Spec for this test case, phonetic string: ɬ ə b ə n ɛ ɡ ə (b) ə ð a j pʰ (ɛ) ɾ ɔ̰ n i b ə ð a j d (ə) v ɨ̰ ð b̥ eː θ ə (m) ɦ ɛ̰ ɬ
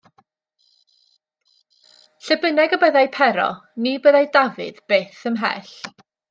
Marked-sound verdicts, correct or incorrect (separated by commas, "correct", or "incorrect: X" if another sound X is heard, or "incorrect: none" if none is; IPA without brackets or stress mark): correct, correct, incorrect: a, correct